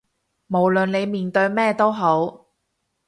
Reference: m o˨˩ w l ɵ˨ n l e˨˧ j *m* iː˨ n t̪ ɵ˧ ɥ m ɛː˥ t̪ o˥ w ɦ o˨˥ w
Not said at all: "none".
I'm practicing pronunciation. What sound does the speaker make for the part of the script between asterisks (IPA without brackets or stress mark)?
m